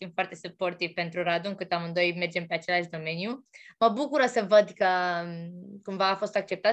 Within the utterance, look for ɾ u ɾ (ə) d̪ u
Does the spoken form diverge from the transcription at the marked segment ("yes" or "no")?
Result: yes